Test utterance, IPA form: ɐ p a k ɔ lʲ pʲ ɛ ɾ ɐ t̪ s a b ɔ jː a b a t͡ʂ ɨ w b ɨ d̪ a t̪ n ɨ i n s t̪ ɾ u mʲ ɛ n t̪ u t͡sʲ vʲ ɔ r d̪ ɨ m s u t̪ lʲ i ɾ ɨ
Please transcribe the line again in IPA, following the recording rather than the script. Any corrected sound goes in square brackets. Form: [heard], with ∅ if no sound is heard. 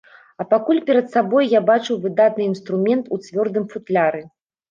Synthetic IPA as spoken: ɐ p a k [u] lʲ pʲ ɛ ɾ ɐ t̪ s a b ɔ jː a b a t͡ʂ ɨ w [v] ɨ d̪ a t̪ n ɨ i n s t̪ ɾ u mʲ ɛ n t̪ u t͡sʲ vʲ ɔ r d̪ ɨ m [f] u t̪ lʲ [a] ɾ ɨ